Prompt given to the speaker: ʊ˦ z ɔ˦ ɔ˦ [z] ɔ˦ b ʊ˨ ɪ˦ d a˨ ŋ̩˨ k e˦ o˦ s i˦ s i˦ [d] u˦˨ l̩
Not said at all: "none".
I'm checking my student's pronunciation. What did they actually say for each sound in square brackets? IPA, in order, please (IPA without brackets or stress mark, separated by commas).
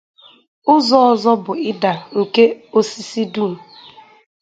z, d